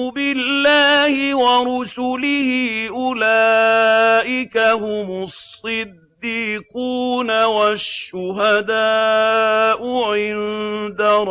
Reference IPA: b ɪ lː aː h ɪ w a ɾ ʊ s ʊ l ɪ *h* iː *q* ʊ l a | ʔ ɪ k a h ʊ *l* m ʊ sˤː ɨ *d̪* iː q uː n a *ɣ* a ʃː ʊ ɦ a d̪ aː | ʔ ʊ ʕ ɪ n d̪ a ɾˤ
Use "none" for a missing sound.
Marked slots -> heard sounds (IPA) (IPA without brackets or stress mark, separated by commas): h, ʔ, none, d̪ː, w